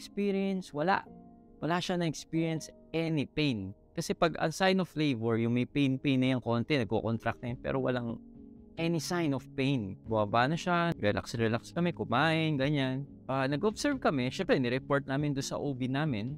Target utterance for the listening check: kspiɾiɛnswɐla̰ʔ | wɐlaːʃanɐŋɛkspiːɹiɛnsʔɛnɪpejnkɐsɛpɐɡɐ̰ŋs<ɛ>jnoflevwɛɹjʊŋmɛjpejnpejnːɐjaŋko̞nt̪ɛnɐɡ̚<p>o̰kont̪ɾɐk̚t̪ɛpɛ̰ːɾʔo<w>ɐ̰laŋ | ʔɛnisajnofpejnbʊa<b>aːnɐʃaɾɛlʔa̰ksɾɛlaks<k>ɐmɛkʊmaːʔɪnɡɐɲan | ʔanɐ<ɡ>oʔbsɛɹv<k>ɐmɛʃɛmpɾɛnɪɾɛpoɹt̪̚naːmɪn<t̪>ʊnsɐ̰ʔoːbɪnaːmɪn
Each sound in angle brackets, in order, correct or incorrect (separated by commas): incorrect, incorrect, correct, correct, correct, correct, correct, incorrect